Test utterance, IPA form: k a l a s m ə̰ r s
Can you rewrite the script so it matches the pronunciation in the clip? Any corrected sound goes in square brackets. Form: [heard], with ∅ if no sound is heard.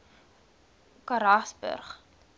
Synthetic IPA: k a [ɾ] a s [b] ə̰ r [χ]

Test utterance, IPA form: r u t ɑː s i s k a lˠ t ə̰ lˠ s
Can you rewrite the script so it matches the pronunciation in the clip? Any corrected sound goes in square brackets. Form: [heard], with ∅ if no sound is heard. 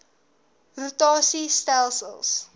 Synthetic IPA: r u t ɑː s i s [t] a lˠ [s] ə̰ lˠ s

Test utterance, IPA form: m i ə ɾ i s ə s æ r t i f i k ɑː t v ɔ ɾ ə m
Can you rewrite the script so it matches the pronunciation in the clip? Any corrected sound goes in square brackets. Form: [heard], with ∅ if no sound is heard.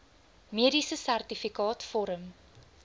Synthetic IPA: m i ə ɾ i s ə s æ r t i f i k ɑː t [f] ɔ ɾ ə m

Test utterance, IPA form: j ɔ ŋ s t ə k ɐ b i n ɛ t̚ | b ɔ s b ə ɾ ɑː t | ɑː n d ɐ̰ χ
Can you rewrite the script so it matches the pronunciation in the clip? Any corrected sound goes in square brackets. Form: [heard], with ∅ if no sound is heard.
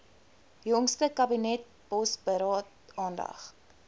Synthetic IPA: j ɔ ŋ s t ə k ɐ b i n ɛ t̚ | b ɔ s b ə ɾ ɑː t | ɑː n d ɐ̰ χ

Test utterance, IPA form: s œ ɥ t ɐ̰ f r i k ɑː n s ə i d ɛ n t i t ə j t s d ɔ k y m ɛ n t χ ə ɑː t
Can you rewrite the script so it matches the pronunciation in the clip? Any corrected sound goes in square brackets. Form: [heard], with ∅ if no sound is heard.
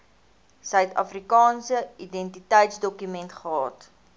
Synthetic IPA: s œ ɥ t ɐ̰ f r i k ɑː n s ə i d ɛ n t i t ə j t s d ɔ k y m ɛ n t χ ə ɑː t

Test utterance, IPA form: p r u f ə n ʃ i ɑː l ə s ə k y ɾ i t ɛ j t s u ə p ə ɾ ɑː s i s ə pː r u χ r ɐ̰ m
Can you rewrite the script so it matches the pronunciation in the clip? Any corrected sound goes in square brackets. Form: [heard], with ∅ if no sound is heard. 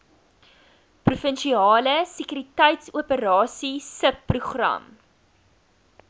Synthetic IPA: p r u f ə n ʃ i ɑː l ə s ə k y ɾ i t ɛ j t s u ə p ə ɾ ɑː s i s ə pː r u χ r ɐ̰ m

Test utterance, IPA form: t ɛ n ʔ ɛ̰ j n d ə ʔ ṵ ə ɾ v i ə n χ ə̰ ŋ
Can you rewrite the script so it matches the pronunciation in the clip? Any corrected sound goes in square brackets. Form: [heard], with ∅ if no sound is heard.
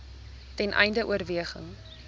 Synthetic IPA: t ɛ n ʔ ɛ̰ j n d ə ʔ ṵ ə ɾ v i ə [∅] χ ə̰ ŋ

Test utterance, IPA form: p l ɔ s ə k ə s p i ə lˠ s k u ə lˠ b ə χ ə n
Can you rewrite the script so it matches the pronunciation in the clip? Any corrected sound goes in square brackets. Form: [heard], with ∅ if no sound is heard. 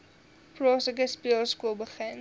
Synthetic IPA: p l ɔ s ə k ə s p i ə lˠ s k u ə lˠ b ə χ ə n

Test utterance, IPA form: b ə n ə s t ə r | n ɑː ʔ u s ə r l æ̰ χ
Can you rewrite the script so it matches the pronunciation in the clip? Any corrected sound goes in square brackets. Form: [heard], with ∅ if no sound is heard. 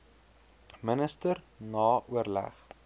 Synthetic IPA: [m] ə n ə s t ə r | n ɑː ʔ u [∅] ə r l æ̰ χ

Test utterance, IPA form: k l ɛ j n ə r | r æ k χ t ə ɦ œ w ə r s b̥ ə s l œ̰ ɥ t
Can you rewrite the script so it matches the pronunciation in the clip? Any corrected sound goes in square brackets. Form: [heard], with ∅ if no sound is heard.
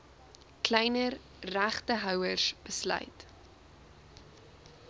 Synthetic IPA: k l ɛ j n ə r | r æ [∅] χ t ə ɦ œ w ə r s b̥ ə s l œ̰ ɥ t

